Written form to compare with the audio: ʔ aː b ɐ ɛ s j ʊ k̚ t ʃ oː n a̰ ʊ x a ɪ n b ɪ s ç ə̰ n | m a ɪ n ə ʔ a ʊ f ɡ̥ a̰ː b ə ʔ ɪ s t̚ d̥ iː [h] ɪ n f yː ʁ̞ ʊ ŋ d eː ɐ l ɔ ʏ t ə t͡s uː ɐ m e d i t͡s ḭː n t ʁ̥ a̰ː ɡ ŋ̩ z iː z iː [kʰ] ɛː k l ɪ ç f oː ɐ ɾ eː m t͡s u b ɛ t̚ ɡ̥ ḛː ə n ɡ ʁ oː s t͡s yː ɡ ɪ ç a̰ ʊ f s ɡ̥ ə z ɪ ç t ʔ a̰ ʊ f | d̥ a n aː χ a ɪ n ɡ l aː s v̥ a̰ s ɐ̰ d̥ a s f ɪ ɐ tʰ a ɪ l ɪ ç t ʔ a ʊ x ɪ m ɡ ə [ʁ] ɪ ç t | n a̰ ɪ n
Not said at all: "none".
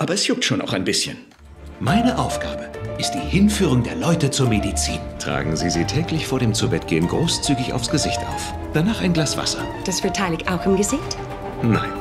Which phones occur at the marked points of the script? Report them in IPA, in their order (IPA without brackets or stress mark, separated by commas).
h, tʰ, z